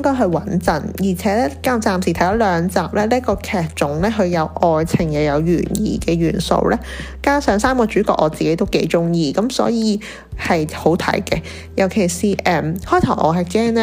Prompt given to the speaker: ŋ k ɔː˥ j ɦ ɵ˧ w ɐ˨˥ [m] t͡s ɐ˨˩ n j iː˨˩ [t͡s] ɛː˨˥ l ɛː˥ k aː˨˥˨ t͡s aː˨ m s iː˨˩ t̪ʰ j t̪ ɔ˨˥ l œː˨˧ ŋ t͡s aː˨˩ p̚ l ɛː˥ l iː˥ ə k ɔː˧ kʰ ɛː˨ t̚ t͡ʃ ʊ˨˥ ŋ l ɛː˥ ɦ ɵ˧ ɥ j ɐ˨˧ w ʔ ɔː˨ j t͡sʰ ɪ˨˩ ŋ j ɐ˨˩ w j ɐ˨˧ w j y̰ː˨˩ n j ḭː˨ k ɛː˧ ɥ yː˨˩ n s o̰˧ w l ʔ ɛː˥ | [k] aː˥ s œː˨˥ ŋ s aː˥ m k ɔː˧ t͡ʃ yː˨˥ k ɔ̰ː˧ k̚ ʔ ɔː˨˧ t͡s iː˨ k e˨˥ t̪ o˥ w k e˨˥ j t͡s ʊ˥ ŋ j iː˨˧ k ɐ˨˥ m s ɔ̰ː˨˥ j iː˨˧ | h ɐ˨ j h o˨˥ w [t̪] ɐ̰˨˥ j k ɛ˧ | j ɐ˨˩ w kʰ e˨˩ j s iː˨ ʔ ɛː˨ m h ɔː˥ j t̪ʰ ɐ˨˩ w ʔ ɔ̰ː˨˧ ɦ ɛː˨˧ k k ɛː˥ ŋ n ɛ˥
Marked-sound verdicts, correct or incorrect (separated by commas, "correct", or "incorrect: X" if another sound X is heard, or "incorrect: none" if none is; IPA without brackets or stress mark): incorrect: n, incorrect: t͡sʰ, correct, incorrect: t̪ʰ